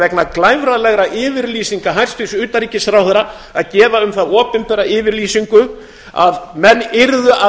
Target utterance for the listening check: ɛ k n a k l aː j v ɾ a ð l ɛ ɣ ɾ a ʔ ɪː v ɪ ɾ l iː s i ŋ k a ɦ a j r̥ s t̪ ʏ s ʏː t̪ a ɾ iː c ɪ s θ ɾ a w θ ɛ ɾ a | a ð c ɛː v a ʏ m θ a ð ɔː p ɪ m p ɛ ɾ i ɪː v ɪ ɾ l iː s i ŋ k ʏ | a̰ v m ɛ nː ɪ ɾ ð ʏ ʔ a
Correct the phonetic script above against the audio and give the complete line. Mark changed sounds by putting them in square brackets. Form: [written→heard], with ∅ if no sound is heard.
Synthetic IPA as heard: ɛ k n a k l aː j v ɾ a ð l ɛ ɣ ɾ a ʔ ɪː v ɪ ɾ l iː s i ŋ k a ɦ a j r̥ s t̪ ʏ s ʏː t̪ a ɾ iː c ɪ s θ ɾ a w θ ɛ ɾ a | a ð c ɛː v a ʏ m θ a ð ɔː p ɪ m p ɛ ɾ [i→a] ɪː v ɪ ɾ l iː s i ŋ k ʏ | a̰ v m ɛ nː ɪ ɾ ð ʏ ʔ a